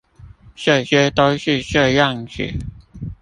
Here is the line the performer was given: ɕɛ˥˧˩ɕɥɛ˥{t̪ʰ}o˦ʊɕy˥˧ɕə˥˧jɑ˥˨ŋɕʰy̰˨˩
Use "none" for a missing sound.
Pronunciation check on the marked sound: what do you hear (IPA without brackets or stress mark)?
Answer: t̪